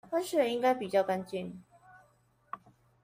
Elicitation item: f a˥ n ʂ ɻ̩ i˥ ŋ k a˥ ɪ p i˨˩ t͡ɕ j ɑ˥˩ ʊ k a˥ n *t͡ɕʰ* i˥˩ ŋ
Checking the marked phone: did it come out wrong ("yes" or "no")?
yes